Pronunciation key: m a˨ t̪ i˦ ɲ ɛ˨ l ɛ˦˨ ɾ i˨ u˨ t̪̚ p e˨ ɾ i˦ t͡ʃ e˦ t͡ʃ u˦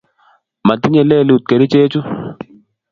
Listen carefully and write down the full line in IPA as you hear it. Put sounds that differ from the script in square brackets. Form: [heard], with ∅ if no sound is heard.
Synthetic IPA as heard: m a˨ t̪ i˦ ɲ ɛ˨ l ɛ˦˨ [l] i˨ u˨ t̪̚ [k] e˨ ɾ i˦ t͡ʃ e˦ t͡ʃ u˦